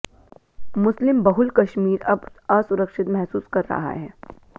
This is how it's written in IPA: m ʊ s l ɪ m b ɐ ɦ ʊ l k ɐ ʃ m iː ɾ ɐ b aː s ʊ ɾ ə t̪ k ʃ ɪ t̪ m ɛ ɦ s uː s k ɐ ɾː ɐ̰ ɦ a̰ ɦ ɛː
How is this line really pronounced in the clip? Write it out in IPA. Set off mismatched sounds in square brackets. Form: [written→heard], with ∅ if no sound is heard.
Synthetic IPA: m ʊ s l ɪ m b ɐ ɦ ʊ l k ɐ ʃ m iː ɾ ɐ b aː s ʊ ɾ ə [t̪→∅] k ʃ ɪ t̪ m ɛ ɦ s uː s k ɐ ɾː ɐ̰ ɦ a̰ ɦ ɛː